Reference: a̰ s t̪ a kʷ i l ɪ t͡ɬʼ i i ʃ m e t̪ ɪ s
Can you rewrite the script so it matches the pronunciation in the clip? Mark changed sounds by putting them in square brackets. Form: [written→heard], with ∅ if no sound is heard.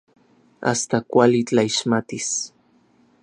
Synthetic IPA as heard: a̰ s t̪ a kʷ [i→a] l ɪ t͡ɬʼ [i→a] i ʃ m [e→a] t̪ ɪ s